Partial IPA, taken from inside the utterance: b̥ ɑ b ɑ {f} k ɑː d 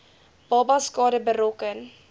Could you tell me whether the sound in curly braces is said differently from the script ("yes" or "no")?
yes